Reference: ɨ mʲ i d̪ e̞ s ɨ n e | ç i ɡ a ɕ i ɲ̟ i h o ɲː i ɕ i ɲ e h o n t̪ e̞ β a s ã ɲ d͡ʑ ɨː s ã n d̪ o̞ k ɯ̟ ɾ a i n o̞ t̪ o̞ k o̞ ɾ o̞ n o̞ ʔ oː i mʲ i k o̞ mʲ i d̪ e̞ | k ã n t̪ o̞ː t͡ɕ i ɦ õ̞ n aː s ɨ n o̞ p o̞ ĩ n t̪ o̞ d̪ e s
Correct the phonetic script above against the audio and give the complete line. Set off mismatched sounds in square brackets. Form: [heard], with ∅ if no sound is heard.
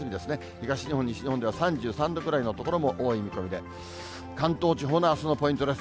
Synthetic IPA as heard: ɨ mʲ i d̪ e̞ s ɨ n e | ç i ɡ a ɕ i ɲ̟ i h o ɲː i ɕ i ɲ [i] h o n [d̪] e̞ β a s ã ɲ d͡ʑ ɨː s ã n d̪ o̞ k ɯ̟ ɾ a i n o̞ t̪ o̞ k o̞ ɾ o̞ [m] o̞ ʔ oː i mʲ i k o̞ mʲ i d̪ e̞ | k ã n t̪ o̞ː t͡ɕ i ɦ [o̞] n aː s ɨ n o̞ p o̞ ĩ n t̪ o̞ d̪ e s